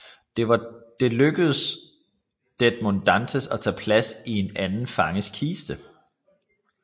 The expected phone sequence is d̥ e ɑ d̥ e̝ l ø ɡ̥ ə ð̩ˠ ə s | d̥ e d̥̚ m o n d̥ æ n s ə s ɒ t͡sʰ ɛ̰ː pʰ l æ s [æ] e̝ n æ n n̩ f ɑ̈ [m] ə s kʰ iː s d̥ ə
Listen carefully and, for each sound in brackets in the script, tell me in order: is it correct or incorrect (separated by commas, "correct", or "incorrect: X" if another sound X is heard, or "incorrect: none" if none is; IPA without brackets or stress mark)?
incorrect: i, incorrect: ŋ